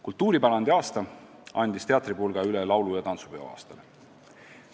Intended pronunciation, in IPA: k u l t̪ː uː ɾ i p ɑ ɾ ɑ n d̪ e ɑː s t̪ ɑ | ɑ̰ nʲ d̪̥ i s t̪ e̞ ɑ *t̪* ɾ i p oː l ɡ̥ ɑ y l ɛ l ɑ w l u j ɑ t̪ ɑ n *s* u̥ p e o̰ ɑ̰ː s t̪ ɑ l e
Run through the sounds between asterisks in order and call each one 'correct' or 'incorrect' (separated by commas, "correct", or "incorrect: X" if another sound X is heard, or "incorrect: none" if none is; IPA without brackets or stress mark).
correct, correct